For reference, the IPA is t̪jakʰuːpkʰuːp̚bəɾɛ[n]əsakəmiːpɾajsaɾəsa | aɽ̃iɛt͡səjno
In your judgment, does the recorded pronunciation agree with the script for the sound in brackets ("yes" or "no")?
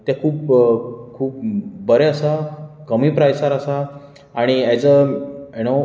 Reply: no